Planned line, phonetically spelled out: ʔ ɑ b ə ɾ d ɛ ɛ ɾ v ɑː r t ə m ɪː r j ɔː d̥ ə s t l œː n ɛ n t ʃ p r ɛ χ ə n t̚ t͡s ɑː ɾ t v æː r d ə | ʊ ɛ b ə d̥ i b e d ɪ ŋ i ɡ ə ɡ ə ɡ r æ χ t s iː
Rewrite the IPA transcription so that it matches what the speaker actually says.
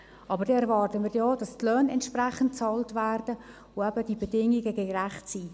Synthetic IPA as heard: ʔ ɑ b ə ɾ d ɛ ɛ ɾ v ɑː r t ə m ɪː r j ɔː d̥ ɑ s t l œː n ɛ n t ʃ p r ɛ χ ə n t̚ t͡s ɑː l t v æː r d ə | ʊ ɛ b ə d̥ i b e d ɪ ŋ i ɡ ə ɡ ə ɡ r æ χ t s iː